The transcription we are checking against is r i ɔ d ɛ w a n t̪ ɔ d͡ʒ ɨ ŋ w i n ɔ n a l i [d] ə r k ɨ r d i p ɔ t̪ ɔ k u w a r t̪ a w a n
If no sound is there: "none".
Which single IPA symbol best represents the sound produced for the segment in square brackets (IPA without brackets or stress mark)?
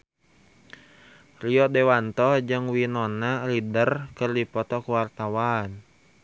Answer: d